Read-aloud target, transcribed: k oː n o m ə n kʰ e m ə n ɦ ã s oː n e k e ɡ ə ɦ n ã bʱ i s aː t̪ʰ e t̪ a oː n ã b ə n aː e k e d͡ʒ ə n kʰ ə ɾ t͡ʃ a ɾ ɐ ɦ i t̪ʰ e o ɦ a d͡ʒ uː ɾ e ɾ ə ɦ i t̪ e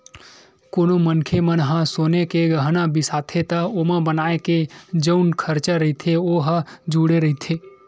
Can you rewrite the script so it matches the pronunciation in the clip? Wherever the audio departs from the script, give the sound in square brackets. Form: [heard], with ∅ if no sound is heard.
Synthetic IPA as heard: k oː n o m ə n kʰ e m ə n ɦ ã s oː n e k e ɡ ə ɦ n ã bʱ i s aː t̪ʰ e t̪ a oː [m] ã b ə n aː e k e d͡ʒ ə n kʰ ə ɾ t͡ʃ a ɾ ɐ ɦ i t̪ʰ e o ɦ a d͡ʒ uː [ɽ] e ɾ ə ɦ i [t̪ʰ] e